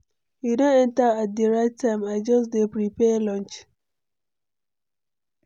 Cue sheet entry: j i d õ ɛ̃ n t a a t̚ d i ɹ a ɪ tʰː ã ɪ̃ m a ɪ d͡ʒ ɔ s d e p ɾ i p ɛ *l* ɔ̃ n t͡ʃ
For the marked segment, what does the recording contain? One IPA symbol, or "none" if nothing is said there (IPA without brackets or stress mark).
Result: l